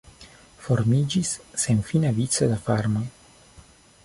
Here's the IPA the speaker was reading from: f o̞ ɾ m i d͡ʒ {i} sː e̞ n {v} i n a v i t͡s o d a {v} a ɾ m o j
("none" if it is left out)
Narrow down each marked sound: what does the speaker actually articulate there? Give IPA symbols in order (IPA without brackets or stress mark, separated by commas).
i, f, f